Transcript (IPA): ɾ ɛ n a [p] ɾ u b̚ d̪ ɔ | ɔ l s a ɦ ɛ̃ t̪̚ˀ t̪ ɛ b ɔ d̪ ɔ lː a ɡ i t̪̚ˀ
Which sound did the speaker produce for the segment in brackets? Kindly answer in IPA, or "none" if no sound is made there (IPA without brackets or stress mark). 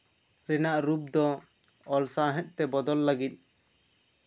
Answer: ʔ